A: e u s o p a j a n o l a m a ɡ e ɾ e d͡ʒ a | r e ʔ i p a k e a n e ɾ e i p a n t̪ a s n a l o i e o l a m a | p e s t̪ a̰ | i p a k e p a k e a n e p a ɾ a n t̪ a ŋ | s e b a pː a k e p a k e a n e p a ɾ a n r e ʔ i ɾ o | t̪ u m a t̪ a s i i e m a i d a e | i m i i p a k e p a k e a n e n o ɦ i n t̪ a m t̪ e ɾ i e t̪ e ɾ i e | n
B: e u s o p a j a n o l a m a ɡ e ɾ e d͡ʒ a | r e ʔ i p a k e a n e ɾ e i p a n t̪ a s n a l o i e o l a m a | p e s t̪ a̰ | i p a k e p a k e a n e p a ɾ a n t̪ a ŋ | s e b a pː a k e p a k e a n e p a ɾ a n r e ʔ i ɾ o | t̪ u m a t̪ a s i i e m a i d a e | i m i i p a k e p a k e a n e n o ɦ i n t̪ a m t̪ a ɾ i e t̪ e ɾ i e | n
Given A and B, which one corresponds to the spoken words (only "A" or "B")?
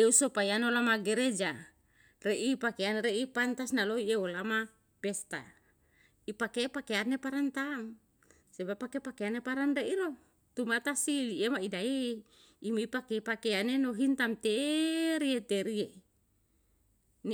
A